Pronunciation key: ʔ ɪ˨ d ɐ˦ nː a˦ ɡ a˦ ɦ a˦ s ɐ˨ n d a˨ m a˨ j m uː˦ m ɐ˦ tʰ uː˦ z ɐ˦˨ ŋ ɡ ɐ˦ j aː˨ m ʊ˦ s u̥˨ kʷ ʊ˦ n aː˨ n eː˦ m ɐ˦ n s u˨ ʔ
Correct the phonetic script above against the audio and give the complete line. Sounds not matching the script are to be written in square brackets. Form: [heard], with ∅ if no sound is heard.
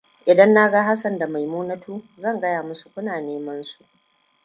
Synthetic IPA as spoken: ʔ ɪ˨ d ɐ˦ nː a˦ ɡ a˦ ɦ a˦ s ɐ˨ n d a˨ m a˨ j m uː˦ [n] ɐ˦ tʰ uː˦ z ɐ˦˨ ŋ ɡ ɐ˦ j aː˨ m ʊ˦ s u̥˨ kʷ ʊ˦ n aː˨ n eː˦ m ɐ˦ n s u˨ ʔ